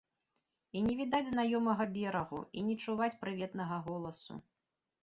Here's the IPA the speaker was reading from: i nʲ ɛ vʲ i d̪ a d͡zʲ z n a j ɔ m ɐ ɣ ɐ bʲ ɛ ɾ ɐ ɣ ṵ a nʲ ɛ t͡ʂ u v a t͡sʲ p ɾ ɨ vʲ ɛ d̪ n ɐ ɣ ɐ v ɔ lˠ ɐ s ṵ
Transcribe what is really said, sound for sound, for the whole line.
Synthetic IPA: i nʲ ɛ vʲ i d̪ a d͡zʲ z n a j ɔ m ɐ ɣ ɐ bʲ ɛ ɾ ɐ ɣ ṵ i nʲ ɛ t͡ʂ u v a t͡sʲ p ɾ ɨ vʲ ɛ t̪ n ɐ ɣ ɐ ɣ ɔ lˠ ɐ s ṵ